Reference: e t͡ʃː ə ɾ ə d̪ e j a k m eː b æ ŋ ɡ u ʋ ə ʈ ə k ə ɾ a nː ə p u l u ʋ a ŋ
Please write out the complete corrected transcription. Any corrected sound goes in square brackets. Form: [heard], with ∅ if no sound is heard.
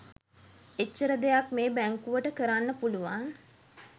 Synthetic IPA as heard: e t͡ʃː ə ɾ ə d̪ e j a k m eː b æ ŋ [k] u ʋ ə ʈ ə k ə ɾ a nː ə p u l u ʋ a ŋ

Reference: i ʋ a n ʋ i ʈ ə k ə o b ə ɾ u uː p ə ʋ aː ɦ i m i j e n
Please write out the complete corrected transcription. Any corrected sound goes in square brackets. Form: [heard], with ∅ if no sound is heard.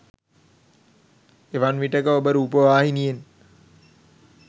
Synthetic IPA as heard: [e] ʋ a n ʋ i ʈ ə k ə o b ə ɾ u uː p ə ʋ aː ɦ i [n] i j e n

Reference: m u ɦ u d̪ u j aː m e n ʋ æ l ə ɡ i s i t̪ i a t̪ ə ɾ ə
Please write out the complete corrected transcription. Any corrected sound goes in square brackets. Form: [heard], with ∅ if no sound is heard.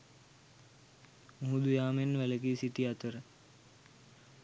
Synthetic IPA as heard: m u ɦ u d̪ u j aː m e n ʋ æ l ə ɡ i s i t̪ i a t̪ ə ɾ ə

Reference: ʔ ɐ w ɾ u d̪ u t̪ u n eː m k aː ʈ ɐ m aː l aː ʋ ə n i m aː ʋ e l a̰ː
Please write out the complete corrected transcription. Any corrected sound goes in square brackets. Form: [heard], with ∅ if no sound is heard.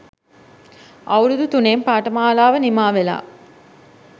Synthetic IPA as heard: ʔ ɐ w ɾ u d̪ u t̪ u n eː m [p] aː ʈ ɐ m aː l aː ʋ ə n i m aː ʋ e l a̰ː

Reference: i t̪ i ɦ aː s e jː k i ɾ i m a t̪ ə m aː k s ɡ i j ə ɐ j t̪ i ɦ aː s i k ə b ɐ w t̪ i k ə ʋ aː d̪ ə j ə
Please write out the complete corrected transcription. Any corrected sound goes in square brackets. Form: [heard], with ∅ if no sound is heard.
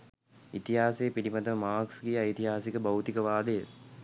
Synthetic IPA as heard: i t̪ i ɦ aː s e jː [p] i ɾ i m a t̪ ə m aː k s ɡ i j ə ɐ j t̪ i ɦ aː s i k ə b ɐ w t̪ i k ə ʋ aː d̪ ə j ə

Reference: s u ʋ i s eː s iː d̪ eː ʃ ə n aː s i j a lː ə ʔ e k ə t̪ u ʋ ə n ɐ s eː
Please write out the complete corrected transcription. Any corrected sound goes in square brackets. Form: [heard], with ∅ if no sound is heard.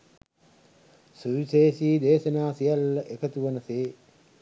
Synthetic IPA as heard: s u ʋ i s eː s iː d̪ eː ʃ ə n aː s i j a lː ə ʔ e k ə t̪ u ʋ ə n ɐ s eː

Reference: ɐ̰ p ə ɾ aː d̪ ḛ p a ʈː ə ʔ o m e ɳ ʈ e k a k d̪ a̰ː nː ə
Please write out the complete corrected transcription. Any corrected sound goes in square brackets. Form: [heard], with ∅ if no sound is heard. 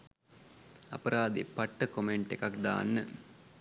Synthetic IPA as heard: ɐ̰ p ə ɾ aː d̪ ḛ p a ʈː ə [k] o m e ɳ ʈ e k a k d̪ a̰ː nː ə

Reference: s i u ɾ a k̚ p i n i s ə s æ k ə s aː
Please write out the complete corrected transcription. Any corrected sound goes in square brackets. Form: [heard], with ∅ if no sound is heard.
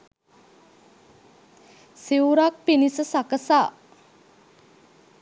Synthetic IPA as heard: s i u ɾ a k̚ p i n i s ə s [a] k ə s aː

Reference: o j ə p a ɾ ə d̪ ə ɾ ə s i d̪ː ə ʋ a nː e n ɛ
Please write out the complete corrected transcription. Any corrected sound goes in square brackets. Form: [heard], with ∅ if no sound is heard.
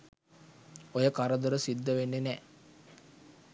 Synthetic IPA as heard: o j ə [k] a ɾ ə d̪ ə ɾ ə s i d̪ː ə ʋ [e] nː e n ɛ

